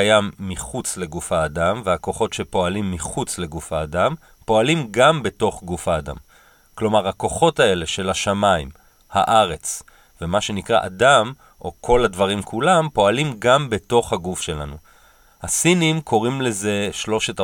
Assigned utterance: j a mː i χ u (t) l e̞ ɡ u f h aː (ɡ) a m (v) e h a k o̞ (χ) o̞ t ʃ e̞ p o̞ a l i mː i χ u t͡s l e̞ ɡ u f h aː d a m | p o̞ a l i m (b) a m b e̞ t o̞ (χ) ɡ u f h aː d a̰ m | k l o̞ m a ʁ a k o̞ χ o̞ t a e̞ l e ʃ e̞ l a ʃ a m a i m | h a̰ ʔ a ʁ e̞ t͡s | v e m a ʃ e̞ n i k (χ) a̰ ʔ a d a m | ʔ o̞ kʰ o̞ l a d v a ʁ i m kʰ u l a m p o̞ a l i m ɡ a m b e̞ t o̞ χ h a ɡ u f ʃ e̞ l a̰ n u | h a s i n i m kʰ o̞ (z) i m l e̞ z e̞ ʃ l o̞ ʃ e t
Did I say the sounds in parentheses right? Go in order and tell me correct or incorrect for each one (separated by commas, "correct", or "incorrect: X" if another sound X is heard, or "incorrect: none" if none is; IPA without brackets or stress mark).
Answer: incorrect: t͡s, incorrect: d, correct, correct, incorrect: ɡ, correct, incorrect: ʁ, incorrect: ʁ